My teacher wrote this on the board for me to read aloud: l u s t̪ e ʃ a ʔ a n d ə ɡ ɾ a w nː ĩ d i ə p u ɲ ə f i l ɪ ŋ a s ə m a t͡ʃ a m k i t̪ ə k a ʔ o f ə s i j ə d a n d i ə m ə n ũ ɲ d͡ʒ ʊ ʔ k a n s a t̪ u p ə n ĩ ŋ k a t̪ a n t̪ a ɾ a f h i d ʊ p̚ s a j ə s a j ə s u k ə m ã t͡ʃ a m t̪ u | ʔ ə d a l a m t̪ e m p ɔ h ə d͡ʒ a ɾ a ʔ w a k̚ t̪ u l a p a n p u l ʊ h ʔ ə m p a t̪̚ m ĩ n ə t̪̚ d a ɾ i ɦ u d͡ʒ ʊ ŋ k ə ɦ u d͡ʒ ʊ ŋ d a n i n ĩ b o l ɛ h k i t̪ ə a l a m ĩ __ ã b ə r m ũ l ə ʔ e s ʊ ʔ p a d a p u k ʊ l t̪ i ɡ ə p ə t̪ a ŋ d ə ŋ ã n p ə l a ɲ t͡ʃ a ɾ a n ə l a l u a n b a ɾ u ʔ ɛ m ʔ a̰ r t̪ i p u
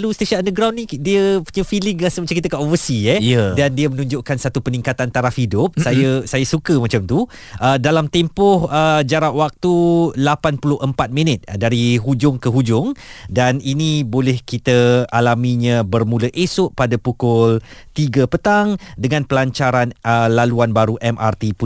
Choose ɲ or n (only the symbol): ɲ